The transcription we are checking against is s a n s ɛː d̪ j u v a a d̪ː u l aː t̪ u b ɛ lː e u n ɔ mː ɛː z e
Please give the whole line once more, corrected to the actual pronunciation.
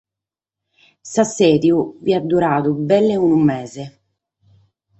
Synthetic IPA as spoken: s a s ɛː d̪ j u v i a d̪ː u ɾ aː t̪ u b ɛ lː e u n u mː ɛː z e